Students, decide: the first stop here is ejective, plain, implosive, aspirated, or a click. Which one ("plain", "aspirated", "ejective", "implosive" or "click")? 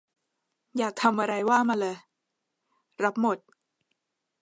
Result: plain